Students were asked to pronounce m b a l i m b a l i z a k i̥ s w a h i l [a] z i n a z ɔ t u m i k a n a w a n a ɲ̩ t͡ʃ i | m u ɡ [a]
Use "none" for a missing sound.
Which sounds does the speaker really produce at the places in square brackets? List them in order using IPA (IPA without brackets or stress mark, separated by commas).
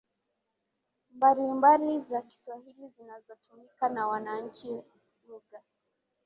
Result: i, a